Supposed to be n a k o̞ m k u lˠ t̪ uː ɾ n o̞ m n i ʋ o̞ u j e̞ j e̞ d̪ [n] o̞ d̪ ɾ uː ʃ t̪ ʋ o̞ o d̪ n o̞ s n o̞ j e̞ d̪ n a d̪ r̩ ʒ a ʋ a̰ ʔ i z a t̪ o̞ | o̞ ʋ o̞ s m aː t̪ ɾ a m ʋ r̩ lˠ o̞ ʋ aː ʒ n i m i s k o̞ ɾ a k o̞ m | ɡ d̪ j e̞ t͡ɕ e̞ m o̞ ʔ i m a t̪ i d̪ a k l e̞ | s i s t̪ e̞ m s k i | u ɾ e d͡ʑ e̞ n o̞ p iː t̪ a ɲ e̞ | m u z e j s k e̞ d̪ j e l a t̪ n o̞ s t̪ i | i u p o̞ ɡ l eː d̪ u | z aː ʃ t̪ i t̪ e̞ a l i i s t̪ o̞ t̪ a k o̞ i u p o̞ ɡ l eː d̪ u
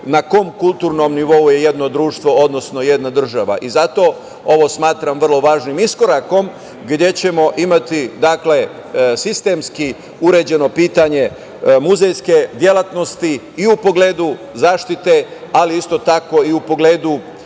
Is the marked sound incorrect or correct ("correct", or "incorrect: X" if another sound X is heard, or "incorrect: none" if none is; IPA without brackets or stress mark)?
correct